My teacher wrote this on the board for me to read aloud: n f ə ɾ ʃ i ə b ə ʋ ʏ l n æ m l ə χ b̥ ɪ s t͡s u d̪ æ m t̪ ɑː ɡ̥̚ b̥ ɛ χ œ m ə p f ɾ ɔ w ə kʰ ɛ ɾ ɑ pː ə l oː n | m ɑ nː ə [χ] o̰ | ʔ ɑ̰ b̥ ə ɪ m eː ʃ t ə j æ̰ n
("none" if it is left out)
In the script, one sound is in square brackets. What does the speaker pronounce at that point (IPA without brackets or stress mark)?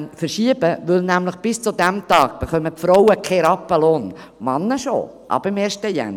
ʃ